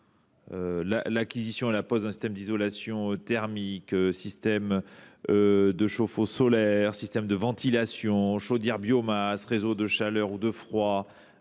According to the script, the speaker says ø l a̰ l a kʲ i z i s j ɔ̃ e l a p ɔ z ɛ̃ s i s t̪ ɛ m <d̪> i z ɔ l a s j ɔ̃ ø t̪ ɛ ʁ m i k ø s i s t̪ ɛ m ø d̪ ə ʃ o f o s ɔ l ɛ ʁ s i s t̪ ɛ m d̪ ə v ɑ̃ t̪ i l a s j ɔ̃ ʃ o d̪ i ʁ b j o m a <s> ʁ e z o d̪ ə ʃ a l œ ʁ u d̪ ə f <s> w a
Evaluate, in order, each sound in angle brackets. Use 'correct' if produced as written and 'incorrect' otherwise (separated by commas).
correct, correct, incorrect